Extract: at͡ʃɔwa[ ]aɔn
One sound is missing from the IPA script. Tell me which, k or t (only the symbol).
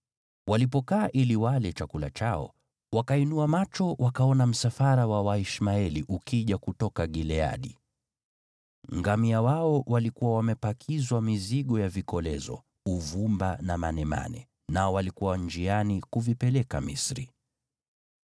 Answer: k